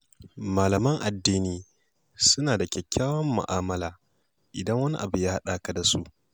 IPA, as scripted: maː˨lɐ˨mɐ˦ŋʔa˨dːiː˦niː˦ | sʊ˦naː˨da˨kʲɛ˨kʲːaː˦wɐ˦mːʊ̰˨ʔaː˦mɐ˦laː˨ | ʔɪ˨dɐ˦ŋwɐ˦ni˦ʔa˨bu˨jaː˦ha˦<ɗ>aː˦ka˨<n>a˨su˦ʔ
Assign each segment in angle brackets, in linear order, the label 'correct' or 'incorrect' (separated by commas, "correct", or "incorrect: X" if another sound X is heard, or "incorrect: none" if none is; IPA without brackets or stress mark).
correct, incorrect: d